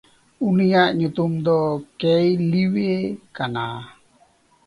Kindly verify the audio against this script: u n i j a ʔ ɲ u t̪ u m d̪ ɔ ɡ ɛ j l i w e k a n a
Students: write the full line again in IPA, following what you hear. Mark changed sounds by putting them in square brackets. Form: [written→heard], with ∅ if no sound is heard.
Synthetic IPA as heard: u n i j a ʔ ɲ u t̪ u m d̪ ɔ [ɡ→k] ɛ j l i w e k a n a